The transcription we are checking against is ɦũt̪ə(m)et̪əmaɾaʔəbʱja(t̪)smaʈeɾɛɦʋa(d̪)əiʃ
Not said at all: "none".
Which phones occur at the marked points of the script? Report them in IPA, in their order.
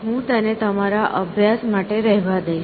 n, none, d̪

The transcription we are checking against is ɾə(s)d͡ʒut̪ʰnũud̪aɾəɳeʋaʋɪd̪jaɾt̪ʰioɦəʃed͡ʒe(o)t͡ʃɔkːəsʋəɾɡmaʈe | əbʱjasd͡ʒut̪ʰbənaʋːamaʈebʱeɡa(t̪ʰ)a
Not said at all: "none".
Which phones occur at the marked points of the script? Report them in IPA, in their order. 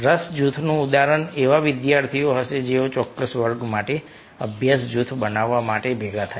s, o, t̪ʰ

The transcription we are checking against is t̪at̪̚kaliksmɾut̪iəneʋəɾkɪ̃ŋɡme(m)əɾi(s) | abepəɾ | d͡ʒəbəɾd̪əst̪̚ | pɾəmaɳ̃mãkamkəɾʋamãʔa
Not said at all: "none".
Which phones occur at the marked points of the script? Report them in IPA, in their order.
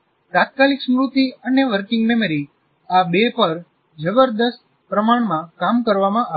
m, none

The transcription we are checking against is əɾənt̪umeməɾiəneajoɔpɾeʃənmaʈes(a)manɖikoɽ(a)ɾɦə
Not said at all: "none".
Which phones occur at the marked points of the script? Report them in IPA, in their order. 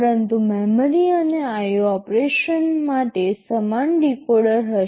ə, ə

